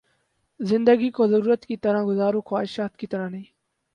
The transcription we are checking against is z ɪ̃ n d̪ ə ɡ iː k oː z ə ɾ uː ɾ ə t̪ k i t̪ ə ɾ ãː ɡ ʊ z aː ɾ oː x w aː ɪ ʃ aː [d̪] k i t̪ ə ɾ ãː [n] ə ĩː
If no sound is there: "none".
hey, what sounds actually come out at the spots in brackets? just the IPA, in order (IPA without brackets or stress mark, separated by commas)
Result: t̪, n